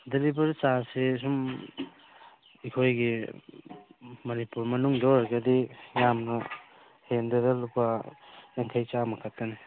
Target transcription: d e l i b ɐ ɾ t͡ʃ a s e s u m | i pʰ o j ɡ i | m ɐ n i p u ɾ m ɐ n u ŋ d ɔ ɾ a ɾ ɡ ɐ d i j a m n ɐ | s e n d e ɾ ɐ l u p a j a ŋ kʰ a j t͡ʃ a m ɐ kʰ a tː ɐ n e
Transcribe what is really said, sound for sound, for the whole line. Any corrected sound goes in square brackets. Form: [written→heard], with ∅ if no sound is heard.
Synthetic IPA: d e l i b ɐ ɾ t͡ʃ a s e s u m | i [pʰ→kʰ] o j ɡ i | m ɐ n i p u ɾ m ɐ n u ŋ d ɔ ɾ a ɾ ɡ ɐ d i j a m n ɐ | [s→h] e n d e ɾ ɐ l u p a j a ŋ kʰ a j t͡ʃ a m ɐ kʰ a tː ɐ n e